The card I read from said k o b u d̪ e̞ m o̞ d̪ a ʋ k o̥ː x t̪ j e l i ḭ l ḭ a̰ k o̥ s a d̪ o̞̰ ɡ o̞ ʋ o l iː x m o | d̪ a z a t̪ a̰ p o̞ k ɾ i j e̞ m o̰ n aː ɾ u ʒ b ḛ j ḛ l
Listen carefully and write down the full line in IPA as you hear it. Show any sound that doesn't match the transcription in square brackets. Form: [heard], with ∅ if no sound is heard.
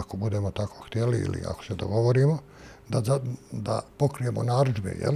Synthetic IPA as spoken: k o b u d̪ e̞ m o̞ [t̪] a [∅] k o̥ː x t̪ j e l i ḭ l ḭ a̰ k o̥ s [e] d̪ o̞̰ ɡ o̞ ʋ o [ɾ] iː [∅] m o | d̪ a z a [d̪] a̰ p o̞ k ɾ i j e̞ m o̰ n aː ɾ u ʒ b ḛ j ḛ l